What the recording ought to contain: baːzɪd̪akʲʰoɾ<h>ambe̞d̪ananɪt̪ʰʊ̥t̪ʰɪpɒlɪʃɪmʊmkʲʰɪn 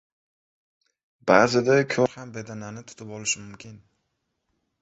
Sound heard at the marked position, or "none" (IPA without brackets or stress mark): h